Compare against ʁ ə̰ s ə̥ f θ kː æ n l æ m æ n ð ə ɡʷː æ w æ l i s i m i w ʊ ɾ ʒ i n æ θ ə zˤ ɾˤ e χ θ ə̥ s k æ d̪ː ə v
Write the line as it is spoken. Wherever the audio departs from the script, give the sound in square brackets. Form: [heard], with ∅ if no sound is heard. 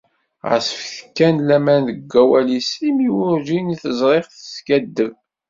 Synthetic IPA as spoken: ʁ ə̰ s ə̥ f θ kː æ n l æ m æ n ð ə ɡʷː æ w æ l i s i m i w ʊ ɾ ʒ i n [i] θ ə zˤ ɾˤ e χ θ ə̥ s k æ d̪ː ə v